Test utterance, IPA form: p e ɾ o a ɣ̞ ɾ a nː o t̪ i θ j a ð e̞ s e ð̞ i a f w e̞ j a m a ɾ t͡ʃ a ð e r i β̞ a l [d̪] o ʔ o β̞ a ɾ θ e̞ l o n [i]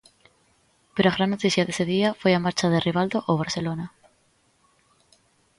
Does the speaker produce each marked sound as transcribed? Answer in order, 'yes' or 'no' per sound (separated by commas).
yes, no